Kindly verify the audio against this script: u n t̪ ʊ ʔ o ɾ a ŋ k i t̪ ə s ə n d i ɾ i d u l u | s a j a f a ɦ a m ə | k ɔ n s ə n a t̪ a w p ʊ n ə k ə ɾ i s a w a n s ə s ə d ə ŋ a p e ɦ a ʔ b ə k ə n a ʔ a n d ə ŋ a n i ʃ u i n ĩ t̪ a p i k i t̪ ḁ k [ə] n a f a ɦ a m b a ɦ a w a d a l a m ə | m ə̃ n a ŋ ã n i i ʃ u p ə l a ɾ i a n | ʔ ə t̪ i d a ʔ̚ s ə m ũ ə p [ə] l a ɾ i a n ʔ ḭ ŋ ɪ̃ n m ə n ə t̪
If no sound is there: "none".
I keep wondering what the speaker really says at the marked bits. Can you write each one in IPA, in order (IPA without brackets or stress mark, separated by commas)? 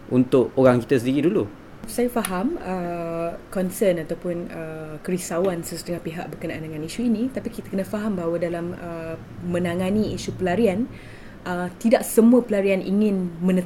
ə, ə